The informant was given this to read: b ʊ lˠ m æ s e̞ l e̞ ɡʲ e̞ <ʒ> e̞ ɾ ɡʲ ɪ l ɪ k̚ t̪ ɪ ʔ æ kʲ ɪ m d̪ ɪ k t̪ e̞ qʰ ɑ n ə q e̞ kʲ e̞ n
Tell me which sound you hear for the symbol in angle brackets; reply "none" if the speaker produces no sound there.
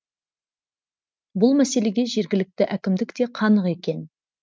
ʒ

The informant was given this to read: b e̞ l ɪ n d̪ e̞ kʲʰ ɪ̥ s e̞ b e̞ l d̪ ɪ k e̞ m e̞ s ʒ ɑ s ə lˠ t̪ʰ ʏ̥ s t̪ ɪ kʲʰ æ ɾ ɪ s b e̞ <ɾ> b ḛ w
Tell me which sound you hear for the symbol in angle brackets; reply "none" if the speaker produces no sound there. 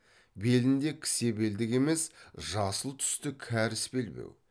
l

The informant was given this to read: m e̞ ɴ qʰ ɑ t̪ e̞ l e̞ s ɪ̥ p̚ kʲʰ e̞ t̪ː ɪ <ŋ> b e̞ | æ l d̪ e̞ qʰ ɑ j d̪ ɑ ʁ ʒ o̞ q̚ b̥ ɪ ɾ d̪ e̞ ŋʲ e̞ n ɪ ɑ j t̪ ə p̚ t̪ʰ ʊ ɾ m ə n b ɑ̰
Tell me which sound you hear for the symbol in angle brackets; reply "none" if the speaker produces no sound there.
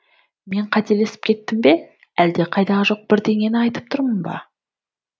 m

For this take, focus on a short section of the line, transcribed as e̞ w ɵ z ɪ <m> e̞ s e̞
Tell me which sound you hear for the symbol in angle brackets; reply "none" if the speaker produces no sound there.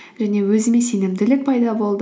m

